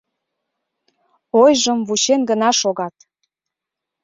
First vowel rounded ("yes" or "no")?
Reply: yes